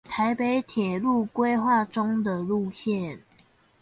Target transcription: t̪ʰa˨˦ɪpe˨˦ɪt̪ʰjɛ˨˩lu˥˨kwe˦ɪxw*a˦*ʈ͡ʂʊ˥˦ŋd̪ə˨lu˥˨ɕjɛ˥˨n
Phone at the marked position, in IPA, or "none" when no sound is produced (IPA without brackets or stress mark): a˥˨